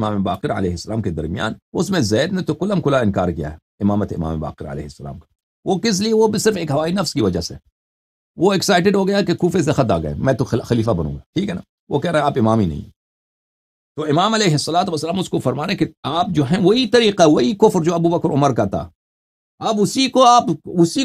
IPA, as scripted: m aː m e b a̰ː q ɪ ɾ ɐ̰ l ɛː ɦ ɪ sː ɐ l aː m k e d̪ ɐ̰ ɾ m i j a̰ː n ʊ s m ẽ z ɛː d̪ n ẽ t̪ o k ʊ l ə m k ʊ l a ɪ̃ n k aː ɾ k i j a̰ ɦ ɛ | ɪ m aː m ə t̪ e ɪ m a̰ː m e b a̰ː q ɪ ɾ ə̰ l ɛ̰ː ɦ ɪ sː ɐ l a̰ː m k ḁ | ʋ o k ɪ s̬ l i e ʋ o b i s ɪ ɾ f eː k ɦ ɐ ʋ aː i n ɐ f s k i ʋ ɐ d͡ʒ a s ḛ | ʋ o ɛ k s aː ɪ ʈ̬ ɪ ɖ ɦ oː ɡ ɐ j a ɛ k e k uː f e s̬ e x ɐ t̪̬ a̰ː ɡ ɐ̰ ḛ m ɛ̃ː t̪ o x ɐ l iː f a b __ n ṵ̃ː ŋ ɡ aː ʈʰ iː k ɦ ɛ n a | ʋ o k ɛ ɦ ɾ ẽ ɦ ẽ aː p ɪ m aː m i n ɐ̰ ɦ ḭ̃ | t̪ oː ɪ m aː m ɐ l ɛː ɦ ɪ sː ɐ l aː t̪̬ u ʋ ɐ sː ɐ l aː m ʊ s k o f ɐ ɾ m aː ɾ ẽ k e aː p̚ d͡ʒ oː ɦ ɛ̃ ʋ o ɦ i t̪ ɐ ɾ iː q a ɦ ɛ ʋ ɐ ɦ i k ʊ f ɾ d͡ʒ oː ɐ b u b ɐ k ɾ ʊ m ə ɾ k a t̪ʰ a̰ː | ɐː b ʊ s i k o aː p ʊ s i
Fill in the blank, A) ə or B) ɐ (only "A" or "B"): B